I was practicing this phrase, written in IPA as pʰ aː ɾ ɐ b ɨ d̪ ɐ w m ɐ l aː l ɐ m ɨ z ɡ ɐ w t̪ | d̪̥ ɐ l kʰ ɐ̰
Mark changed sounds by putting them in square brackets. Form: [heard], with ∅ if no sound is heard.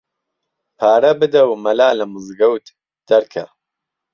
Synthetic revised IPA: pʰ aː ɾ ɐ b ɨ d̪ ɐ w m ɐ l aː l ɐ m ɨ z ɡ ɐ w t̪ | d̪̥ ɐ [ɾ] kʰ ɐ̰